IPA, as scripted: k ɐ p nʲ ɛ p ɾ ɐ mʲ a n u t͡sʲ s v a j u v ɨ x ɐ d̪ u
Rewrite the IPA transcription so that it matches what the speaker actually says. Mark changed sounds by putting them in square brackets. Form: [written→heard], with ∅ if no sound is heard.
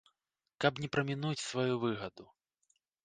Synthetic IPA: k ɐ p nʲ ɛ p ɾ ɐ mʲ [a→i] n u t͡sʲ s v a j u v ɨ [x→ɣ] ɐ d̪ u